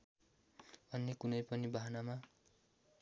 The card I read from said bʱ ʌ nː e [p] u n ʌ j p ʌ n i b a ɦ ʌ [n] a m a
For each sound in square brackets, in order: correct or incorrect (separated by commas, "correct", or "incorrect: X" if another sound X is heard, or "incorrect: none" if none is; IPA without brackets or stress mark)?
incorrect: k, correct